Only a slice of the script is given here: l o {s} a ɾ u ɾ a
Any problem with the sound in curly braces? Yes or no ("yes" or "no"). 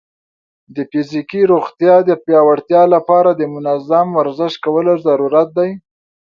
yes